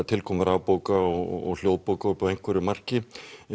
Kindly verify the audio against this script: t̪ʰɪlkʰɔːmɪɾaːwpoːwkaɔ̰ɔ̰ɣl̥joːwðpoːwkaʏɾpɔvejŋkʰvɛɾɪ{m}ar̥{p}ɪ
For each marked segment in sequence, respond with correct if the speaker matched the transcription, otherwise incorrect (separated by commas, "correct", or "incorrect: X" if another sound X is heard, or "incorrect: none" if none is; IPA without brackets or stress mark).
correct, incorrect: c